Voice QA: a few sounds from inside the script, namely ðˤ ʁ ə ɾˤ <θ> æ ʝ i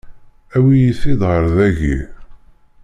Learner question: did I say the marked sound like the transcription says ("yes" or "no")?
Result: no